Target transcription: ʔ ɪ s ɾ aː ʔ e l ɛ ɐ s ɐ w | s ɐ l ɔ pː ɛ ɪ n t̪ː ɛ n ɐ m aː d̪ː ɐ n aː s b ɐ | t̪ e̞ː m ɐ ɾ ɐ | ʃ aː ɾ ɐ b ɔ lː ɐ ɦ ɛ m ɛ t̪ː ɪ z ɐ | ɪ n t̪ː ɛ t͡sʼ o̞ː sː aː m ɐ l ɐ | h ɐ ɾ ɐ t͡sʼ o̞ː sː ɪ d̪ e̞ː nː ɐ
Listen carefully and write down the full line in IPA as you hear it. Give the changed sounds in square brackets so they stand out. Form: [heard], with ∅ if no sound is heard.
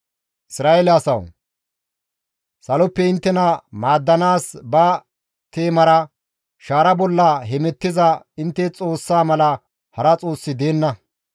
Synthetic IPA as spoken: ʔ ɪ s ɾ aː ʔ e l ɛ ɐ s ɐ w | s ɐ l ɔ pː ɛ ɪ n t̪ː ɛ n ɐ m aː d̪ː ɐ n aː s b ɐ | t̪ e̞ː m ɐ ɾ ɐ | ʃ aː ɾ ɐ b ɔ lː ɐ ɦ ɛ m ɛ t̪ː ɪ z ɐ | ɪ n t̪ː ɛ t͡sʼ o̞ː sː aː m ɐ l ɐ | h ɐ ɾ ɐ t͡sʼ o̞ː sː ɪ d̪ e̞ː nː ɐ